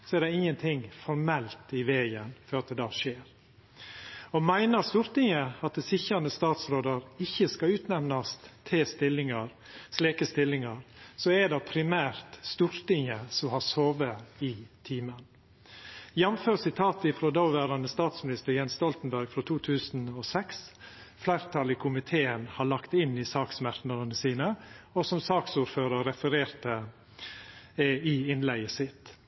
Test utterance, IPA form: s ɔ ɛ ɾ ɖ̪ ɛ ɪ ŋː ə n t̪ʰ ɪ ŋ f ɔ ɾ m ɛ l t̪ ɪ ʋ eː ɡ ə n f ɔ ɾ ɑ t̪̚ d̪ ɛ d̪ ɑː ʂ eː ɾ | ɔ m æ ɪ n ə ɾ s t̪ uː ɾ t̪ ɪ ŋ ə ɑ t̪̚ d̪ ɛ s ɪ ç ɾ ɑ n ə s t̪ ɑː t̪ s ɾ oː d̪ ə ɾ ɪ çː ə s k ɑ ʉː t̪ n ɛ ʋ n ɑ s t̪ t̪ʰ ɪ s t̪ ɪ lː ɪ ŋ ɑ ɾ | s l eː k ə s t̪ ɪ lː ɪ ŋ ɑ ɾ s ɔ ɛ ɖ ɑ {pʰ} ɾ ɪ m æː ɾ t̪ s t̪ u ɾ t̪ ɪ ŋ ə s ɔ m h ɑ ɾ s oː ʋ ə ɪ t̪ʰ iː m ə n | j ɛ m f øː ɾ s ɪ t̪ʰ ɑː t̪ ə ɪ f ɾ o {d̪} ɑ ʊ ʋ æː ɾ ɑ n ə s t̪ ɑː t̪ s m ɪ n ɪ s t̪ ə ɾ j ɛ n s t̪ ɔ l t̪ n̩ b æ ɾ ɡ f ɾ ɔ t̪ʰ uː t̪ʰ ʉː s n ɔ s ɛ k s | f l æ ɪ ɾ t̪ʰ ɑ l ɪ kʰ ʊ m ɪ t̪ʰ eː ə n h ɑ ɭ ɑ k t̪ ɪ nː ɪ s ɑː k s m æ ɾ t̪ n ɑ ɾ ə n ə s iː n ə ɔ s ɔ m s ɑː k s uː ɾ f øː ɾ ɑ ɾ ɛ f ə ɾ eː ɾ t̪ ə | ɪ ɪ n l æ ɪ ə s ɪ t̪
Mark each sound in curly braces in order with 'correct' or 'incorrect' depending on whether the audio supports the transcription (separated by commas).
correct, correct